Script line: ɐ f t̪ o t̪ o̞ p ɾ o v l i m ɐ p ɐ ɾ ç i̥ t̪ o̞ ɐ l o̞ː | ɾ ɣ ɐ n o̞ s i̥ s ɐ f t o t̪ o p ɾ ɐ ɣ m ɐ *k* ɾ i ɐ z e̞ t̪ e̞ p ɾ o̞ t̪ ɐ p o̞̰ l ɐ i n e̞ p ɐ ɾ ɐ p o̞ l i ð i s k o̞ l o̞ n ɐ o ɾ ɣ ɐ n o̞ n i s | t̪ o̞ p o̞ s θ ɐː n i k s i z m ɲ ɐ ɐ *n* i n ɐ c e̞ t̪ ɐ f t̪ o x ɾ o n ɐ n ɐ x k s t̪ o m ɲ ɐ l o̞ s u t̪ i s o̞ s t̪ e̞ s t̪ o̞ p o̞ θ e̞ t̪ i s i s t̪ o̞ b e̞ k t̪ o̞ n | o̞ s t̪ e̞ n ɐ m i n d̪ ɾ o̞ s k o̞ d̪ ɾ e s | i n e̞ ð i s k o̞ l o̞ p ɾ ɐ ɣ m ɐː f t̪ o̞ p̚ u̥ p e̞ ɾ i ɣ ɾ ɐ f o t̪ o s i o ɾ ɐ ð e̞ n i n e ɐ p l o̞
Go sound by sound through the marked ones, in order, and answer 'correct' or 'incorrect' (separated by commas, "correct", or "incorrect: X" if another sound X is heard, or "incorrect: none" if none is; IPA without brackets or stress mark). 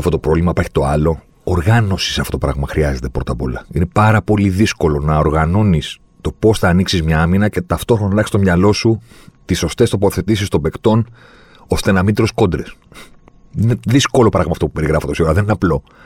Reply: incorrect: x, incorrect: m